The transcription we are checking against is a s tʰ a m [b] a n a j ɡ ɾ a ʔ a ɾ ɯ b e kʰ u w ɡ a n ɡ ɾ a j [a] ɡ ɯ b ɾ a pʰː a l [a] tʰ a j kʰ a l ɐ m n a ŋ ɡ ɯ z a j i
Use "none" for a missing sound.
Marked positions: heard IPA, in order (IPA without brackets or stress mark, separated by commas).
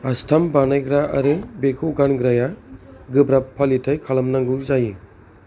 b, a, i